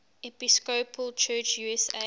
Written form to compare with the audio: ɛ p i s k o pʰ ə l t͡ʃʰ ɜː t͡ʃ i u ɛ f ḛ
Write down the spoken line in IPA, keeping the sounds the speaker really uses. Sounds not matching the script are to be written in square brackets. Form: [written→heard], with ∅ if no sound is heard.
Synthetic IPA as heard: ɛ p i s k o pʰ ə l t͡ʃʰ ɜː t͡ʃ [i→j] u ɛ [f→s] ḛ